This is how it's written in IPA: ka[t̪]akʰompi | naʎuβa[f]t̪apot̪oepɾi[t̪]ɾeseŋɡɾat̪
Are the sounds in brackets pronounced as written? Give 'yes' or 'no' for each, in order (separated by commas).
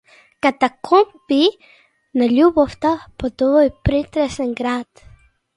yes, yes, yes